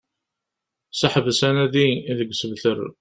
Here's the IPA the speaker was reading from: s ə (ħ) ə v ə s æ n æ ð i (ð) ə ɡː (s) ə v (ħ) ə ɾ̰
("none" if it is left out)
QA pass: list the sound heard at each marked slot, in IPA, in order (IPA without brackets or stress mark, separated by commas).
ħ, ð, s, θ